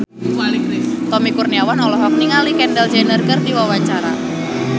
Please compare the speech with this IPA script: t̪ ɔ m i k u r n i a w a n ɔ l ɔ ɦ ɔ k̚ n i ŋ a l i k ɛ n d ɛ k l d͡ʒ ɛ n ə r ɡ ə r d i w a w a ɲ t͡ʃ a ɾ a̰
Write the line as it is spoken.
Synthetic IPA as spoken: t̪ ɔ m i k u r n i a w a n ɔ l ɔ ɦ ɔ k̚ n i ŋ a l i k ɛ n d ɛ l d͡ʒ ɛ n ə r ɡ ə r d i w a w a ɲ t͡ʃ a ɾ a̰